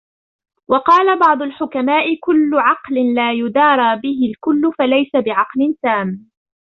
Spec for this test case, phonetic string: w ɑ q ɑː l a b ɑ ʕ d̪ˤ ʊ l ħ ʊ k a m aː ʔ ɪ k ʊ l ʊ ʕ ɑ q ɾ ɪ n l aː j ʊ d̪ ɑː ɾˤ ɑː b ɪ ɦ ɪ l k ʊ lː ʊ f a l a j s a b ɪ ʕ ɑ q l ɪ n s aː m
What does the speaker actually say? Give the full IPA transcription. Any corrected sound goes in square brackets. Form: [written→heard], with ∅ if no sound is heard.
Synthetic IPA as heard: w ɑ q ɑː l a b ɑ ʕ d̪ˤ ʊ l ħ ʊ k a m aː ʔ ɪ k ʊ [l→lː] ʊ ʕ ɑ q [ɾ→l] ɪ n l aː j ʊ d̪ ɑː ɾˤ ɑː b ɪ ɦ ɪ l k ʊ lː ʊ f a l a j s a b ɪ ʕ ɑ q l ɪ n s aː m